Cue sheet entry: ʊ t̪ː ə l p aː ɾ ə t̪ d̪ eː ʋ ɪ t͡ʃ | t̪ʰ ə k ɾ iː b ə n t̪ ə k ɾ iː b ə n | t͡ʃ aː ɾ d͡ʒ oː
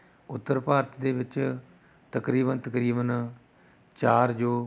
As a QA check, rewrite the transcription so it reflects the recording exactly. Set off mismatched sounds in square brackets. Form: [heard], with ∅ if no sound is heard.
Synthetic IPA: ʊ t̪ː ə [ɾ] p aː ɾ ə t̪ d̪ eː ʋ ɪ t͡ʃ | [t̪] ə k ɾ iː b ə n t̪ ə k ɾ iː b ə n | t͡ʃ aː ɾ d͡ʒ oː